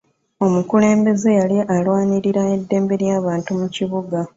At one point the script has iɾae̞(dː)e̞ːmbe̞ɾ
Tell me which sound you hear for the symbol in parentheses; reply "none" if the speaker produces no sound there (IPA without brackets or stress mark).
dː